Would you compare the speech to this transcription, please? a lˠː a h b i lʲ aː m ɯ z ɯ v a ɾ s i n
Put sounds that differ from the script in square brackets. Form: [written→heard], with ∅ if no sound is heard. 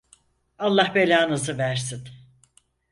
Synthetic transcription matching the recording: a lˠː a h b [i→e] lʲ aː [m→n] ɯ z ɯ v [a→æ] ɾ s i n